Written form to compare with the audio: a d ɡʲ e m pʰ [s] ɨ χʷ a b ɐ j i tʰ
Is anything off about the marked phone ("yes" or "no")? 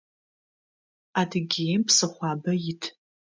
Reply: no